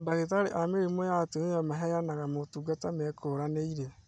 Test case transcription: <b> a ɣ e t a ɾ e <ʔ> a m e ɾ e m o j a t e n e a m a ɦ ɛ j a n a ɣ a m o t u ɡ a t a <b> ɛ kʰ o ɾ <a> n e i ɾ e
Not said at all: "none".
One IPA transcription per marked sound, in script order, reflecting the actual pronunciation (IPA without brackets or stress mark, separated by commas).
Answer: b, ʔ, m, a